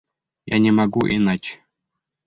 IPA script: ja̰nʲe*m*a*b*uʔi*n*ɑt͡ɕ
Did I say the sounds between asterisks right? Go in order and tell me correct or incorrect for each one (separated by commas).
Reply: correct, incorrect, correct